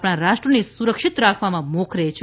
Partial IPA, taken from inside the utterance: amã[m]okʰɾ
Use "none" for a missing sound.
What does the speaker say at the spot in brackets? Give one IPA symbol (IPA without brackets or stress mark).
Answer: m